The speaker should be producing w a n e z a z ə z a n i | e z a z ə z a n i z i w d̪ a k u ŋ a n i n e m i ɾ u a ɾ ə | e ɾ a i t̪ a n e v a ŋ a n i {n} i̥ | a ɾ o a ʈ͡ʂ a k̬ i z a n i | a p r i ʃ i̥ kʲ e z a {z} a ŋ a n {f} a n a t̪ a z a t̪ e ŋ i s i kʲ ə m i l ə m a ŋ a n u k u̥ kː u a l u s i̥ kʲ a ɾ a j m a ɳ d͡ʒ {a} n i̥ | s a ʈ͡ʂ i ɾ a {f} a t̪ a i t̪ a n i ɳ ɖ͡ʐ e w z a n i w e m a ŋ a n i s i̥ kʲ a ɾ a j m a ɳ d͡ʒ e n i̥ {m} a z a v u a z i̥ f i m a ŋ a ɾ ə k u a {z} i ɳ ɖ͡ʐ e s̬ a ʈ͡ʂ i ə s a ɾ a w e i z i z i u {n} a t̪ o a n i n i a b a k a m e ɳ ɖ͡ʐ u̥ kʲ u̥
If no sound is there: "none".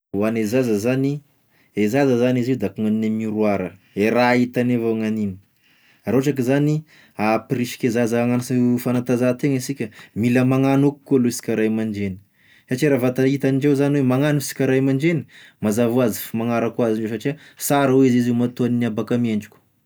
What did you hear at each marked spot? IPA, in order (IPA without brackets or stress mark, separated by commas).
n, z, f, e, v, m, z, m